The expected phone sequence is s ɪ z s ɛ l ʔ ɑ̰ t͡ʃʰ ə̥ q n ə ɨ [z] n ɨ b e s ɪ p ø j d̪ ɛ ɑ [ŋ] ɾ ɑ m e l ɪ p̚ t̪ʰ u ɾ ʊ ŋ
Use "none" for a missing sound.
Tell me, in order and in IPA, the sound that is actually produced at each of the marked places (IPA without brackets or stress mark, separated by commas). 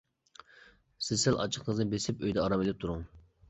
z, none